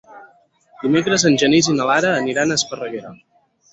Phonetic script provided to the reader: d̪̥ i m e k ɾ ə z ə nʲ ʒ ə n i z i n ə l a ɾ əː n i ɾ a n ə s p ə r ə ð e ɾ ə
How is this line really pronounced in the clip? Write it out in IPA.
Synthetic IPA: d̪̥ i m e k ɾ ə z ə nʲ ʒ ə n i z i n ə l a ɾ əː n i ɾ a n ə s p ə r ə ɣ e ɾ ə